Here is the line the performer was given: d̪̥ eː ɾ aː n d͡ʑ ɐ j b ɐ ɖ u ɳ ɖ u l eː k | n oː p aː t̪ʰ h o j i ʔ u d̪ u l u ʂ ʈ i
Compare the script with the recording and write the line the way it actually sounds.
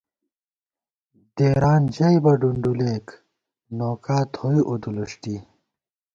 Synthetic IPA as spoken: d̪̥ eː ɾ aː n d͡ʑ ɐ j b ɐ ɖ u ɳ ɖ u l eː k | n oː k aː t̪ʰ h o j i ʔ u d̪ u l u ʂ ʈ i